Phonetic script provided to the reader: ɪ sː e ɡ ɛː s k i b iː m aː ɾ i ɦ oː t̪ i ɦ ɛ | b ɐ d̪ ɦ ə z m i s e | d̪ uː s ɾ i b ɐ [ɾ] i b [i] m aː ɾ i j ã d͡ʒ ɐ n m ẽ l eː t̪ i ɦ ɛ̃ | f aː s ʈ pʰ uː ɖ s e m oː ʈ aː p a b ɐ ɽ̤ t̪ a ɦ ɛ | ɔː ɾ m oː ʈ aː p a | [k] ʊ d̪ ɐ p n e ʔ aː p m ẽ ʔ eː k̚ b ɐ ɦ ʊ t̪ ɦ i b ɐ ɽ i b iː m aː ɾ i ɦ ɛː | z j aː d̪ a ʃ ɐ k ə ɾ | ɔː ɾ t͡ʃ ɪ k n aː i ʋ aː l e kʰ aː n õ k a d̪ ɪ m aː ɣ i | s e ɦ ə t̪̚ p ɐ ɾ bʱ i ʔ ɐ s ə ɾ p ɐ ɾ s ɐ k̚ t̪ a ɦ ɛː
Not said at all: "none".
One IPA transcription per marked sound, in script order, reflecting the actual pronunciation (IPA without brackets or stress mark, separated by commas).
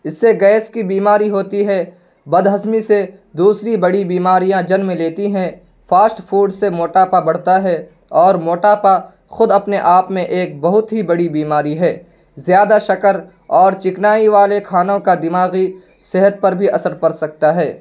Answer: ɽ, iː, x